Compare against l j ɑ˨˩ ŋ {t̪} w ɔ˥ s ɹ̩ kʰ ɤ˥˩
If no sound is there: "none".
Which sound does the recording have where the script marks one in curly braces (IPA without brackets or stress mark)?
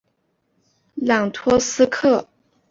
t̪ʰ